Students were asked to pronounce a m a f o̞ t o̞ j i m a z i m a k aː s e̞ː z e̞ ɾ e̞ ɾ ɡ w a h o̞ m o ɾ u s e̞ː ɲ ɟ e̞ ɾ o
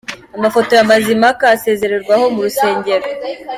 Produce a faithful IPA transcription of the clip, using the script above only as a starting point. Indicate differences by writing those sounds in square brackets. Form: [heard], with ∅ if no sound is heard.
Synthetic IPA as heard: a m a f o̞ t o̞ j [a] m a z i m a k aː s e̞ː z e̞ ɾ e̞ ɾ ɡ w a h o̞ m [u] ɾ u s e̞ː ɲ ɟ e̞ ɾ o